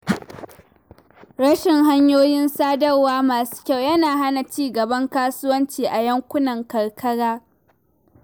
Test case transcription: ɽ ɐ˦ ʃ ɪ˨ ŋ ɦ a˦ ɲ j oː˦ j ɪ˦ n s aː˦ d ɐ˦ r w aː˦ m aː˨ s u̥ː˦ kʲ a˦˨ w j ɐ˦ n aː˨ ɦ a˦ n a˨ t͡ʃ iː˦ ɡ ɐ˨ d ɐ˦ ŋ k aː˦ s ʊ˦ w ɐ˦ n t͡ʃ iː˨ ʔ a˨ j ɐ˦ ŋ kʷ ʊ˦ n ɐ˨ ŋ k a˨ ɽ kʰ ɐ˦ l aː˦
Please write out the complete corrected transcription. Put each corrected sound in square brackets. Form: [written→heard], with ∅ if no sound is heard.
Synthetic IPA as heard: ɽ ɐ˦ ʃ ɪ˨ ŋ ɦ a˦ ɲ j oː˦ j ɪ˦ n s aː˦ d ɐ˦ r w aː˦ m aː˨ s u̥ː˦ kʲ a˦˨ w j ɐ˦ n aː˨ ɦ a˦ n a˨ t͡ʃ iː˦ ɡ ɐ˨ [d→b] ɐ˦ ŋ k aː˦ s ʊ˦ w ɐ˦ n t͡ʃ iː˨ ʔ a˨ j ɐ˦ ŋ kʷ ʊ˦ n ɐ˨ ŋ k [a˨→ɐ˨] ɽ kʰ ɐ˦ [l→ɽ] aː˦